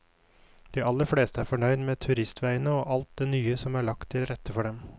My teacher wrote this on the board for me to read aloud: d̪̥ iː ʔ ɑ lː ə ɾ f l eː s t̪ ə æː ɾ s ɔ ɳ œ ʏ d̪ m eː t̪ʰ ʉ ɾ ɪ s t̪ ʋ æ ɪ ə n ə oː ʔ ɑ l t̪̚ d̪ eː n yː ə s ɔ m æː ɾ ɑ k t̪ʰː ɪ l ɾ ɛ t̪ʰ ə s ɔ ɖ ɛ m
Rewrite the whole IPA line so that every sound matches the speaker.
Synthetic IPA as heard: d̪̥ iː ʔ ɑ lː ə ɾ f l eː s t̪ ə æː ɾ f ɔ ɳ œ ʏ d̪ m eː t̪ʰ ʉ ɾ ɪ s t̪ ʋ æ ɪ ə n ə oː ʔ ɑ l t̪̚ d̪ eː n yː ə s ɔ m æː ɭ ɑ k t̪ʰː ɪ l ɾ ɛ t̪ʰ ə f ɔ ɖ ɛ m